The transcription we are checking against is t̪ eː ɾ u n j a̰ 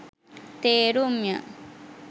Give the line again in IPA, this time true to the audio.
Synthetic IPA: t̪ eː ɾ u m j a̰